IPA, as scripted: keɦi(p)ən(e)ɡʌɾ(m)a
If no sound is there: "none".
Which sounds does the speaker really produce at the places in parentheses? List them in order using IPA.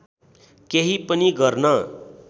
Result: p, i, n

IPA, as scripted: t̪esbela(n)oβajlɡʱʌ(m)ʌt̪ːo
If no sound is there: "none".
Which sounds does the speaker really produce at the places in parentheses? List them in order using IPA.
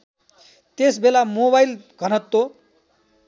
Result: m, n

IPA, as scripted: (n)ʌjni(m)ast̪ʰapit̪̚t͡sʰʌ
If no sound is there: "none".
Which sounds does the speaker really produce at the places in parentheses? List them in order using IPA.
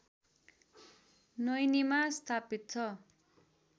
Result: n, m

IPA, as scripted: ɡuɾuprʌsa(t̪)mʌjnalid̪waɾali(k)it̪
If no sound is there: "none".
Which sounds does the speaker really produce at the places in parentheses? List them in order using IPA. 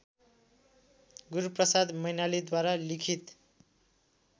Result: d̪, kʰ

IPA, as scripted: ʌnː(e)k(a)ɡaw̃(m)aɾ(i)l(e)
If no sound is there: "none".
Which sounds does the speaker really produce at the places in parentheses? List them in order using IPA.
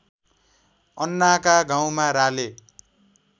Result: a, a, m, a, e

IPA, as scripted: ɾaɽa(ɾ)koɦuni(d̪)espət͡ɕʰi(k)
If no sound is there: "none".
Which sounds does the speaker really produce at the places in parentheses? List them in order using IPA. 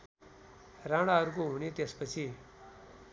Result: ɾ, t̪, none

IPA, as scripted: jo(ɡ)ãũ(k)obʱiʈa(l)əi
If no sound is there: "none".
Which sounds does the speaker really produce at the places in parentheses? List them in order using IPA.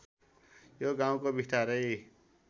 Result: ɡ, k, ɾ

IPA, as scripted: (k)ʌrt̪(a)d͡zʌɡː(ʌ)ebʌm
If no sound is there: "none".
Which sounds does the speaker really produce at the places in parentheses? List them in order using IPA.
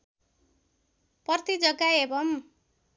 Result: p, i, a

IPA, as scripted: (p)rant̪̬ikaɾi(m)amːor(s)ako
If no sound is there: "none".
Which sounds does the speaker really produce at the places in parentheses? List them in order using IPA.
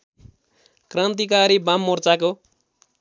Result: k, b, t͡s

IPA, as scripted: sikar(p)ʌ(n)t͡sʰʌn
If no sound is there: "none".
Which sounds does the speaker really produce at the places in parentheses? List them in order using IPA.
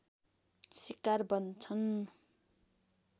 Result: b, n

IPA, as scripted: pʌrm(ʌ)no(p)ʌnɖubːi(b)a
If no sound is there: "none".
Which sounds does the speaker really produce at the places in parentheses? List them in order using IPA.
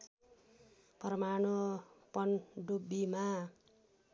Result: a, p, m

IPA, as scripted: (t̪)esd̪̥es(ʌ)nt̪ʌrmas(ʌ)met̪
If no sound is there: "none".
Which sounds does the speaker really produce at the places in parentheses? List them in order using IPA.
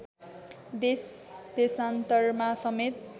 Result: d̪, a, ʌ

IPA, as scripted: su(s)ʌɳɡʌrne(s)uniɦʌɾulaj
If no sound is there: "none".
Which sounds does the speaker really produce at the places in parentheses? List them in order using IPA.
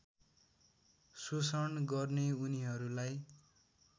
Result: s, none

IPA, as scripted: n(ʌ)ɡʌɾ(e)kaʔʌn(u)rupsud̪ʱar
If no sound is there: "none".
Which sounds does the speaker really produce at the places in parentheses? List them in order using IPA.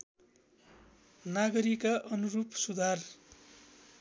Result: a, i, u

